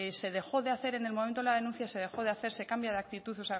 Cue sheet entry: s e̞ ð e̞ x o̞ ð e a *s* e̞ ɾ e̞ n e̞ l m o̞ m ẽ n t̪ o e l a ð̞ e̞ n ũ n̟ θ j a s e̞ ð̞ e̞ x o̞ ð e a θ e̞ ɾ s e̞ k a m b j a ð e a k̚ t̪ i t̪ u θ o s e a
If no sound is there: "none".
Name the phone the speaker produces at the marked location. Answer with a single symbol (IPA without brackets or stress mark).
θ